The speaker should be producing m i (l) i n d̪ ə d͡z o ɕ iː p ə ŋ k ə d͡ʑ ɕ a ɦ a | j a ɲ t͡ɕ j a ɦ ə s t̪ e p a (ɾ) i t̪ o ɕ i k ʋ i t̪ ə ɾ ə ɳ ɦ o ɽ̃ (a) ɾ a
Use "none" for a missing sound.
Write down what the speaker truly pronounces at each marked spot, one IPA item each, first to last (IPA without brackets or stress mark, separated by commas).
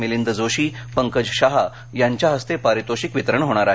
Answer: l, ɾ, a